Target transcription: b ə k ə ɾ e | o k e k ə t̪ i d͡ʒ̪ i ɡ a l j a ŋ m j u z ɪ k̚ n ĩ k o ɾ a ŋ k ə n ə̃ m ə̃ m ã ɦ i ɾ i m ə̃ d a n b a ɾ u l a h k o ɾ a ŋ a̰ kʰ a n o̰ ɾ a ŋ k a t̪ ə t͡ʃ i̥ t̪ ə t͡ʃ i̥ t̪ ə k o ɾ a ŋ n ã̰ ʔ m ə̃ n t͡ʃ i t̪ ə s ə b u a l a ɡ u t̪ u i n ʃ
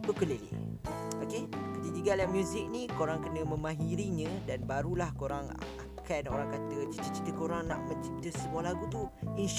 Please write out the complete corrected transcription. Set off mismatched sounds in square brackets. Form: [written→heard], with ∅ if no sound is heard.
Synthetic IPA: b ə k ə [ɾ→l] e | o k e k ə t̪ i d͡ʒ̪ i ɡ a l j a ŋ m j u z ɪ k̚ n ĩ k o ɾ a ŋ k ə n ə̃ m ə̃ m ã ɦ i ɾ i [m→ɲ] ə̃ d a n b a ɾ u l a h k o ɾ a ŋ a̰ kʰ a n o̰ ɾ a ŋ k a t̪ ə t͡ʃ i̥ t̪ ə t͡ʃ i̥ t̪ ə k o ɾ a ŋ n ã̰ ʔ m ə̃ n t͡ʃ i t̪ ə s ə b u a l a ɡ u t̪ u i n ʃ